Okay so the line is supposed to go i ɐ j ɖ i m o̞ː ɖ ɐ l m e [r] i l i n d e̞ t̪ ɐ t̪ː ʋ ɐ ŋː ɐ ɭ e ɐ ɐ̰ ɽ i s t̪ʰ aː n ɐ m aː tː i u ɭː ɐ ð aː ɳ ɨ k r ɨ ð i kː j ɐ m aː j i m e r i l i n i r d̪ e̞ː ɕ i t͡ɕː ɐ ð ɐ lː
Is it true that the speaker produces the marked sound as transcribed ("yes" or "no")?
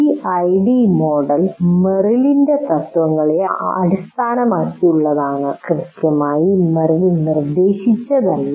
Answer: yes